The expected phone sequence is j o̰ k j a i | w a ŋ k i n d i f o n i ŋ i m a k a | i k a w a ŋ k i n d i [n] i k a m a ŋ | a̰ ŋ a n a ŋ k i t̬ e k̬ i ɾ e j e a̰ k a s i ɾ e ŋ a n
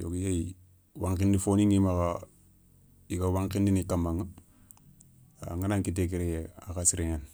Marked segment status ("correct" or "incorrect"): correct